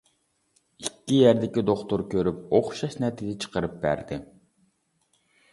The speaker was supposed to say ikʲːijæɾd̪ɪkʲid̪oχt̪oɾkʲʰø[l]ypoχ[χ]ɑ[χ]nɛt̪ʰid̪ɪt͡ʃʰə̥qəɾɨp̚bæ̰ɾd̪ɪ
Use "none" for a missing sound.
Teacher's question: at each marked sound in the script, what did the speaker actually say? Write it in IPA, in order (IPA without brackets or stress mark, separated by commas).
ɾ, ʃ, ʃ